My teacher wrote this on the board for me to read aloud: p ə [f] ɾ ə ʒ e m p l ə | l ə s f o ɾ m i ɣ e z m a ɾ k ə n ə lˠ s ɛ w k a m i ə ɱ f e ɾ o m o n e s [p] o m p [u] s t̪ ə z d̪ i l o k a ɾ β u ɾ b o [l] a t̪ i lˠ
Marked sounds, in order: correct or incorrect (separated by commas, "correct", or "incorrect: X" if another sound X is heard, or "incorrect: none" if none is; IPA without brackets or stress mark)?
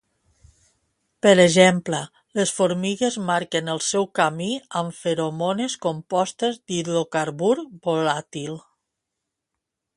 incorrect: none, incorrect: k, incorrect: ɔ, correct